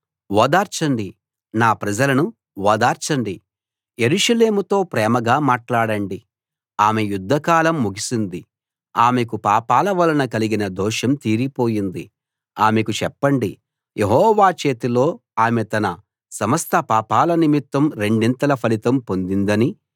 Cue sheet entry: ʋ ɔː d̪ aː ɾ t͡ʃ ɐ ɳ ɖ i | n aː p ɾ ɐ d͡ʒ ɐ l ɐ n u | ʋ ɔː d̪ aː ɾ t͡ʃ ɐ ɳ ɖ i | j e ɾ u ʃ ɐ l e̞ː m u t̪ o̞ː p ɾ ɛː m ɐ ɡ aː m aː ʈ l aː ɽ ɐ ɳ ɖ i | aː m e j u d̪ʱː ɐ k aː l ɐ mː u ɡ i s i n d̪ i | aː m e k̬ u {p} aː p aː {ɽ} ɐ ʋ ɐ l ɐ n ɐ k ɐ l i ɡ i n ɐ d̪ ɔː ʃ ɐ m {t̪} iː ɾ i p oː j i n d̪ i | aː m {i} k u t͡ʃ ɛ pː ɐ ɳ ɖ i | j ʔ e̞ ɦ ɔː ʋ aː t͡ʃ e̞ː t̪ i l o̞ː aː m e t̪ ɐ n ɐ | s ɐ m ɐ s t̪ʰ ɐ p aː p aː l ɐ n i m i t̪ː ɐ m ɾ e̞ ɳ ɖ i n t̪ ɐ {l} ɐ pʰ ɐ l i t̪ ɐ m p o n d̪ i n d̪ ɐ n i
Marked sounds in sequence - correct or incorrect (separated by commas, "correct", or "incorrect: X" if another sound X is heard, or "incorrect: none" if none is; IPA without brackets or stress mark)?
correct, incorrect: l, correct, incorrect: e, correct